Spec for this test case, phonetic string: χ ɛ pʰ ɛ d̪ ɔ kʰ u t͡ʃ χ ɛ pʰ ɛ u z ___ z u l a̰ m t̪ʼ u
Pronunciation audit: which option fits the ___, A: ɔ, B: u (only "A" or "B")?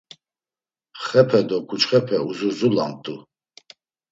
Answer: B